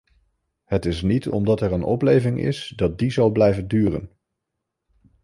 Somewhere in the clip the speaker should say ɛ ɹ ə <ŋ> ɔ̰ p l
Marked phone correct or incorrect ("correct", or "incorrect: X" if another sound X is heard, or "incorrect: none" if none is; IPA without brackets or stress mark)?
incorrect: n